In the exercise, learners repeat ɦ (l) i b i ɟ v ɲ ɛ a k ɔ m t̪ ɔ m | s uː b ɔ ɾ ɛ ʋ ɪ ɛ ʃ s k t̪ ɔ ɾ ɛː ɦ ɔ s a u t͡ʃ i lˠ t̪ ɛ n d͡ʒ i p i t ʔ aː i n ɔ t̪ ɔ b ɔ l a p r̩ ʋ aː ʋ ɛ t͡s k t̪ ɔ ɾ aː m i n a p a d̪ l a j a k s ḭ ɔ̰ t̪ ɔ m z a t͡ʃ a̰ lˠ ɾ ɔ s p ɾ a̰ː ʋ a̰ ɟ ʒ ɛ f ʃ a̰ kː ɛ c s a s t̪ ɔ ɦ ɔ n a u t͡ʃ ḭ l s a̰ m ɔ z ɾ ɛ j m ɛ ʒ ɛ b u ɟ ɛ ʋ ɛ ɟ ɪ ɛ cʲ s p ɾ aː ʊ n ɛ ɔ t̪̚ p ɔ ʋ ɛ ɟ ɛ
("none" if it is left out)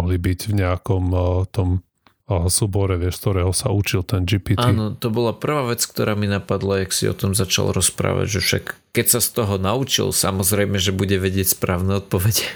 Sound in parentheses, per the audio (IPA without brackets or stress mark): l